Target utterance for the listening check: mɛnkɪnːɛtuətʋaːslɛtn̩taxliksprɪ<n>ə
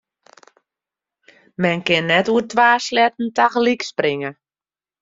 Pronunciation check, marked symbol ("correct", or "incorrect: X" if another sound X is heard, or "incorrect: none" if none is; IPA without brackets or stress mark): incorrect: ŋ